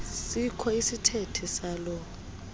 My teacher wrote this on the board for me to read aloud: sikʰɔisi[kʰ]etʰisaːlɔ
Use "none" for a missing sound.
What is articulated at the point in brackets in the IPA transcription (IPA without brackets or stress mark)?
tʰ